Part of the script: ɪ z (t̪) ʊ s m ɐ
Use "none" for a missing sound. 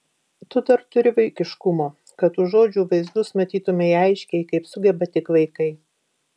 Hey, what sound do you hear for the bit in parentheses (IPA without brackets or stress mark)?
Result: d̪